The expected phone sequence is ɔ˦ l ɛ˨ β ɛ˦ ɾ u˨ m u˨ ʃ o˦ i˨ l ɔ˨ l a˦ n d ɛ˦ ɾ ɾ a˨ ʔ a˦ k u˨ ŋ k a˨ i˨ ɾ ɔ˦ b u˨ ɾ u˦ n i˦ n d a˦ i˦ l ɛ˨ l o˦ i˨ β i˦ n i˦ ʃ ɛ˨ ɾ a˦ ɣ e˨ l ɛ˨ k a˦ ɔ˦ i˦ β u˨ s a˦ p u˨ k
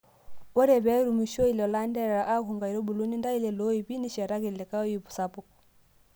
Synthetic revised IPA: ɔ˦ ɾ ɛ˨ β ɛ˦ ɾ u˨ m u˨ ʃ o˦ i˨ l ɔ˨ l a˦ n d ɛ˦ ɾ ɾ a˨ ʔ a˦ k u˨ ŋ ɡ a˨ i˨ ɾ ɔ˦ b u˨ l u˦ n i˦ n d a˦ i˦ l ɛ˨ l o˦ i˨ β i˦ n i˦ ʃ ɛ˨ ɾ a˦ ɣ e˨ l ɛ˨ k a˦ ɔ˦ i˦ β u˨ s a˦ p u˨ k